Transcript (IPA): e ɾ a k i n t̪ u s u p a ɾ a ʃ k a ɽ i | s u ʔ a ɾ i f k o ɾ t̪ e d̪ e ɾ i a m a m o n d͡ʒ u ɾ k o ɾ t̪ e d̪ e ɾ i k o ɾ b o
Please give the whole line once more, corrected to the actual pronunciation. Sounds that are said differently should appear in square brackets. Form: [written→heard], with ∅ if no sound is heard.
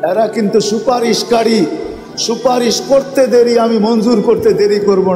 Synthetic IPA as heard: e ɾ a k i n t̪ u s u p a ɾ [a→i] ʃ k a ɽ i | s u [ʔ→p] a ɾ i [f→ʃ] k o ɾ t̪ e d̪ e ɾ i a m [a→i] m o n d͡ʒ u ɾ k o ɾ t̪ e d̪ e ɾ i k o ɾ b o